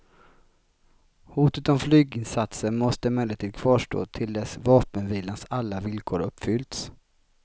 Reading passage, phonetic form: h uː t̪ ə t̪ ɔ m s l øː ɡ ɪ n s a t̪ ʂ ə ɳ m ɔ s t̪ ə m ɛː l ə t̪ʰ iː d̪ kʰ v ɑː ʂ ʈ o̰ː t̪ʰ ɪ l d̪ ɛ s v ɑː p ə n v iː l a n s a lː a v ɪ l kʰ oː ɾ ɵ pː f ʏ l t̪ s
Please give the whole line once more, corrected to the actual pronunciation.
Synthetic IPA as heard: h uː t̪ ə t̪ ɔ m f l yː ɡ ɪ n s a t̪ s ə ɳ m ɔ s t̪ ə m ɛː l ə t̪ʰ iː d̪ kʰ v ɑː ʂ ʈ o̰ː t̪ʰ ɪ l d̪ ɛ s v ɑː p ə n v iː l a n s a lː a v ɪ l kʰ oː ɾ ɵ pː f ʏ l t̪ s